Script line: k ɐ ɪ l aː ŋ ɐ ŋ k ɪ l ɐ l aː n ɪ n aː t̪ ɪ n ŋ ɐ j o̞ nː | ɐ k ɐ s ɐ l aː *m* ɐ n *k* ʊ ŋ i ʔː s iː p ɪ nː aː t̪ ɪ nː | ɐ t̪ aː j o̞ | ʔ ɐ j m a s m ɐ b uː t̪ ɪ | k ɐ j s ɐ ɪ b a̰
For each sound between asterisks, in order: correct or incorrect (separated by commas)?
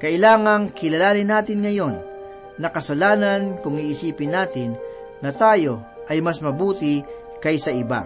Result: incorrect, correct